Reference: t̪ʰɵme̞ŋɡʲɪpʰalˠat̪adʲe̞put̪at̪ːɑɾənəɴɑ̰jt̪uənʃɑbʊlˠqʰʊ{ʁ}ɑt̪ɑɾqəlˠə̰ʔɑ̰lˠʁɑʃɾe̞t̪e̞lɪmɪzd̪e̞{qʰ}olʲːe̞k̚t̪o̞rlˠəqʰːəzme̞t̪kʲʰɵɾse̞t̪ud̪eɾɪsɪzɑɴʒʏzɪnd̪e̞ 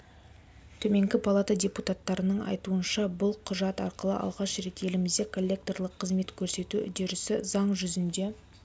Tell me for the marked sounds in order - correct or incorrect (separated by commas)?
incorrect, incorrect